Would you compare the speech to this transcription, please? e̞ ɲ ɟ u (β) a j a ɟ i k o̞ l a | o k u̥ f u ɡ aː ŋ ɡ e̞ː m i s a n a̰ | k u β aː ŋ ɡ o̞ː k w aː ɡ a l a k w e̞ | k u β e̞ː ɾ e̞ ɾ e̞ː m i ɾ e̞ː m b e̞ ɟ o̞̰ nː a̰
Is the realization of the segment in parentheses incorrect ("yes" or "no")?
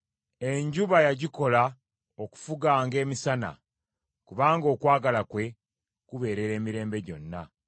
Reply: no